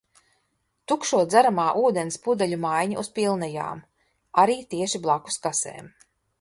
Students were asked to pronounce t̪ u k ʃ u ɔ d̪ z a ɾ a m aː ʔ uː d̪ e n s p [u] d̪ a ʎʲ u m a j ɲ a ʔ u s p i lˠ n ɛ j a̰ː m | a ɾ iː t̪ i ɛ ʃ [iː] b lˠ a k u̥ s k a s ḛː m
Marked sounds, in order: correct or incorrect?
correct, incorrect: i

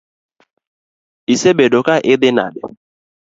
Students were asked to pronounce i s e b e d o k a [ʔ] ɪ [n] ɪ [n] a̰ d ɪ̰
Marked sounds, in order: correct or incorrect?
correct, incorrect: d, correct

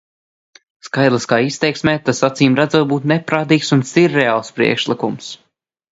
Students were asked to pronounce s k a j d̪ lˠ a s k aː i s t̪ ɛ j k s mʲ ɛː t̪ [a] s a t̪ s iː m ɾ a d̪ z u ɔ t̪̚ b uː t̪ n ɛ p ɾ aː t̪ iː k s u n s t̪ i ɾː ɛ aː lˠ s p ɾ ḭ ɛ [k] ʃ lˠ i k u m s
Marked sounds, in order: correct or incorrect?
correct, correct

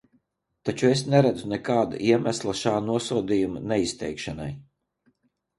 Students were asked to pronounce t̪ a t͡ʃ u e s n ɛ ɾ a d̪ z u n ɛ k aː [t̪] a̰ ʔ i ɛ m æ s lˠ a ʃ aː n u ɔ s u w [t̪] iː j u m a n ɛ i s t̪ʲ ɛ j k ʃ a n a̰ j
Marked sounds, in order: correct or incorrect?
incorrect: d̪, incorrect: d̪

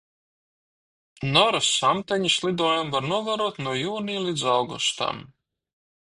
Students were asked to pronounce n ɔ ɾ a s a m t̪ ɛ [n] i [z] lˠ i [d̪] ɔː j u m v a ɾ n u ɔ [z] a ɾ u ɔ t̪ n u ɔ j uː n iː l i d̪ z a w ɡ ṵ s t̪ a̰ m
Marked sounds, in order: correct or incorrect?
incorrect: ɲ, incorrect: s, correct, incorrect: v

